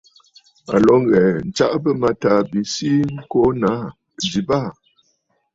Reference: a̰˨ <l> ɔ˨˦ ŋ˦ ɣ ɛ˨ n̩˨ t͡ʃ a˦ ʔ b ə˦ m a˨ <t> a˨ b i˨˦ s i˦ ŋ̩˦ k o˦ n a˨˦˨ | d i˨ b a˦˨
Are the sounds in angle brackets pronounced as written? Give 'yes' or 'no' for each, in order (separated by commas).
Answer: yes, yes